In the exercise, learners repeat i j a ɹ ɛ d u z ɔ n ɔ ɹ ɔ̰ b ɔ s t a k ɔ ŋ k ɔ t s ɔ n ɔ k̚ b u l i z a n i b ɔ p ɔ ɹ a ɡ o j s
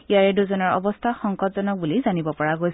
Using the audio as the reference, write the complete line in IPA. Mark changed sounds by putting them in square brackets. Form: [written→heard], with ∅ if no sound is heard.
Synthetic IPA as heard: i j a ɹ ɛ d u z ɔ n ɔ ɹ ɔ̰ b ɔ s [t→tʰ] a [k→x] ɔ ŋ k ɔ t [s→z] ɔ n ɔ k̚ b u l i z a n i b ɔ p ɔ ɹ a ɡ o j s